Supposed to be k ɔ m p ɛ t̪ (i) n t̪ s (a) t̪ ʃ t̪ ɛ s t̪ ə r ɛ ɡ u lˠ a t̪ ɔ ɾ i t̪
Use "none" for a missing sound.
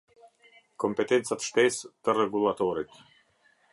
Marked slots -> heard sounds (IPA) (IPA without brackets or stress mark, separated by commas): ɛ, a